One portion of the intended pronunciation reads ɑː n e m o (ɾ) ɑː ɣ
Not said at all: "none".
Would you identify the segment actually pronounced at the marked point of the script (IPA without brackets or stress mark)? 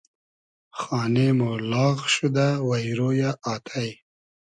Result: l